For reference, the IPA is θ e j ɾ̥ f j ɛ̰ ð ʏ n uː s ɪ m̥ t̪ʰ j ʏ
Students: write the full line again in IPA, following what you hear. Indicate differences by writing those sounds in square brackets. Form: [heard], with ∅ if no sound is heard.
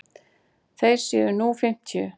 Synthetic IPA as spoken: θ e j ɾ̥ [s] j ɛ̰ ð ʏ n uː [f] ɪ m̥ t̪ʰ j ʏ